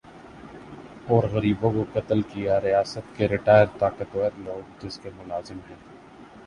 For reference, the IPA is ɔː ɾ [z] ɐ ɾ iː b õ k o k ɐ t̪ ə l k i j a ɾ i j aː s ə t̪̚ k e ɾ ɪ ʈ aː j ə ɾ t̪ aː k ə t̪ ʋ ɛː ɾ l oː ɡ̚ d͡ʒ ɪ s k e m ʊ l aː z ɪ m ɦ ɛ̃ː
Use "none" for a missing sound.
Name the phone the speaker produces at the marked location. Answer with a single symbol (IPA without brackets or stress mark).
ɣ